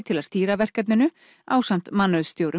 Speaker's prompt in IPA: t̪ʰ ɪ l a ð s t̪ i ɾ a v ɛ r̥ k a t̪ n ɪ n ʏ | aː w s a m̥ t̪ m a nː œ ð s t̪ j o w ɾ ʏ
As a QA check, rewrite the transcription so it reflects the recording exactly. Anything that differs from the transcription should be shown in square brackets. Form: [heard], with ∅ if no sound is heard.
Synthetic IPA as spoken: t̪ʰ ɪ l a ð s t̪ [iː] ɾ a v ɛ r̥ k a t̪ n ɪ n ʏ | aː w s a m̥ t̪ m a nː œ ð s t̪ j o w ɾ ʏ